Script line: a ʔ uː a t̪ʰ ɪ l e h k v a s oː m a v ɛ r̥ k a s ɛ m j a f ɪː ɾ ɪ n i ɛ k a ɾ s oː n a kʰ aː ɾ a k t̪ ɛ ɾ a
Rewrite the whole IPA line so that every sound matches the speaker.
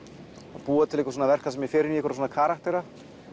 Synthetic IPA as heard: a p uː a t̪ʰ ɪ l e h k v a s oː n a v ɛ r̥ k a s ɛ m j ɛ f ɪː ɾ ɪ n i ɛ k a ɾ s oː n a kʰ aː ɾ a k t̪ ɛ ɾ a